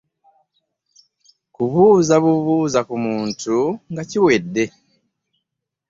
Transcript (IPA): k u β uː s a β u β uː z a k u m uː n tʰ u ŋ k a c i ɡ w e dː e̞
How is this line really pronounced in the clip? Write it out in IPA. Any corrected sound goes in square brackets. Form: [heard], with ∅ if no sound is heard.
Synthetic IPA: k u β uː [z] a β u β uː z a k u m uː n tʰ u ŋ [ɡ] a c i [∅] w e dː e̞